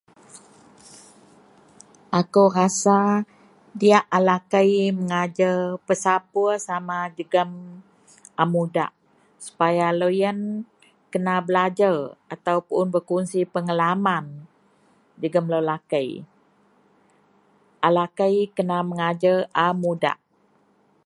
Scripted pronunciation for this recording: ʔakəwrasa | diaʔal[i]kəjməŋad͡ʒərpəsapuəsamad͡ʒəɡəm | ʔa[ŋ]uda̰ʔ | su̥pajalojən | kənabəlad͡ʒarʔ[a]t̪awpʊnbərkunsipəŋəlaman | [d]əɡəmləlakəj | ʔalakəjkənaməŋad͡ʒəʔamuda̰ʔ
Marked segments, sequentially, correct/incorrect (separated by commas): incorrect, incorrect, correct, incorrect